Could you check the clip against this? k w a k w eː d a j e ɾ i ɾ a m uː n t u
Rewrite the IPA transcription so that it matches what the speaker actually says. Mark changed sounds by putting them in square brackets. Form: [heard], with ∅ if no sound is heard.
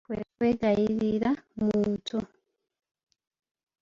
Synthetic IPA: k w [e] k w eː [ɡ] a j [i] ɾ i ɾ a m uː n t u